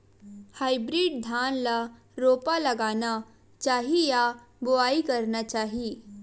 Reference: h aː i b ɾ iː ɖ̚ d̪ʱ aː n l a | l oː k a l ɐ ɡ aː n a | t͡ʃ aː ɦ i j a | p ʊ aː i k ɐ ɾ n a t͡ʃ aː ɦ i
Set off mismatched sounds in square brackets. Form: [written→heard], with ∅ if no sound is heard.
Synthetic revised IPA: h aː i b ɾ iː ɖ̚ d̪ʱ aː n l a | [l→ɾ] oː [k→p] a l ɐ ɡ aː n a | t͡ʃ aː ɦ i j a | [p→b] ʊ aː i k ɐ ɾ n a t͡ʃ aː ɦ i